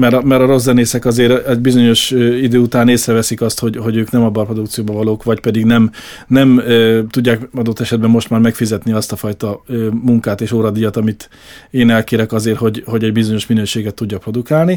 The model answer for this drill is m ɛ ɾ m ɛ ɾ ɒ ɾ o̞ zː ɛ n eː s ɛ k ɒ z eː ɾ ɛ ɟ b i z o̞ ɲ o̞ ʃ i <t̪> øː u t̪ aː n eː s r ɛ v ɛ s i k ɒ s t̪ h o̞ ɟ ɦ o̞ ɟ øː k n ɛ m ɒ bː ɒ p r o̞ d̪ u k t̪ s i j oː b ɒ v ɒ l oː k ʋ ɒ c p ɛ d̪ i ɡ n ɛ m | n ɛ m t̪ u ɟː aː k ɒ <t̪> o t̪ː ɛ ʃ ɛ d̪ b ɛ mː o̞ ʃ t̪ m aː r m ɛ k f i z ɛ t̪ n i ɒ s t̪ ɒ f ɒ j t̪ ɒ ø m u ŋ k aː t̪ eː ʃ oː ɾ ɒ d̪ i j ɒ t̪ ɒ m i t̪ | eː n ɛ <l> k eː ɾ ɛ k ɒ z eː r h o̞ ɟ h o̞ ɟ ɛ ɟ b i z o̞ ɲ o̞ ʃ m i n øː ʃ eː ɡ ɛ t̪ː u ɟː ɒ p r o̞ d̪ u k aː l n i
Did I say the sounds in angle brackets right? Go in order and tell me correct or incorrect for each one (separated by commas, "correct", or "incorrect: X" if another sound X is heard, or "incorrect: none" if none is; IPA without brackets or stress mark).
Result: incorrect: d̪, incorrect: d̪, correct